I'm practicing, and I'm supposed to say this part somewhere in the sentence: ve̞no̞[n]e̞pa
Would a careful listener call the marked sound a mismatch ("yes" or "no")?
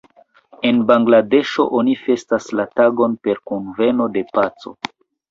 yes